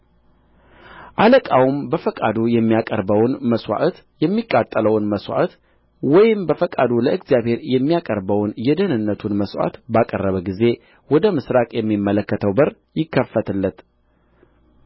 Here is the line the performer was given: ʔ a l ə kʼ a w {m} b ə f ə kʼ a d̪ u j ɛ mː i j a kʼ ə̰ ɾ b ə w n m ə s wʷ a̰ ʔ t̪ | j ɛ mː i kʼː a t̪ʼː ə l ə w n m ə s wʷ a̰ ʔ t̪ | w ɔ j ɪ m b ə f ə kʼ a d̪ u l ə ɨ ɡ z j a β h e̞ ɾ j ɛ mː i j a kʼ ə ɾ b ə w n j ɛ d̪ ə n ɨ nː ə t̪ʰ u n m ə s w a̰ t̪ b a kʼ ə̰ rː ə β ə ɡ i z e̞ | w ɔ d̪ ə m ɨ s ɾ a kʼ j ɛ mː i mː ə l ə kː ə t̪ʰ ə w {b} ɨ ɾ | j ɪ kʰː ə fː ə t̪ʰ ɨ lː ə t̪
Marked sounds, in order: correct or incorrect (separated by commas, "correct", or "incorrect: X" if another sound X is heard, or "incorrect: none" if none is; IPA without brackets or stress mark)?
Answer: correct, correct